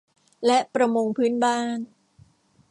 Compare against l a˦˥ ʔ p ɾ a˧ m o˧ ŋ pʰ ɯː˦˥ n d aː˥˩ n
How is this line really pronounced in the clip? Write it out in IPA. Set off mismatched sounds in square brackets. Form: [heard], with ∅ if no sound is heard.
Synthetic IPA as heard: l [ɛ˦˥] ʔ p ɾ a˧ m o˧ ŋ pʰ ɯː˦˥ n [b] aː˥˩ n

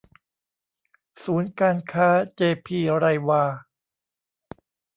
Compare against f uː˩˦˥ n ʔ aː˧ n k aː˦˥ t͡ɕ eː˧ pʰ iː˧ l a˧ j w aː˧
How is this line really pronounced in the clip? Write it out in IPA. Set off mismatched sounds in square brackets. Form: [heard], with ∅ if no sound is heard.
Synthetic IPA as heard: [s] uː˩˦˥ n [k] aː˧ n [kʰ] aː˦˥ t͡ɕ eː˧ pʰ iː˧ [ɾ] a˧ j w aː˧

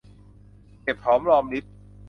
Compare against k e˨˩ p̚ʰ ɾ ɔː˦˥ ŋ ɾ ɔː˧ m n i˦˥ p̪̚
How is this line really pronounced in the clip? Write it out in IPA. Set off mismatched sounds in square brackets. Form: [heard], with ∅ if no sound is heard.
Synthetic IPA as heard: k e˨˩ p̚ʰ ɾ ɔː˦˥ [m] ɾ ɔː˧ m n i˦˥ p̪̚

